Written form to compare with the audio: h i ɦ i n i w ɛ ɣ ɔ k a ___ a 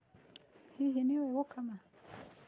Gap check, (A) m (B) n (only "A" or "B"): A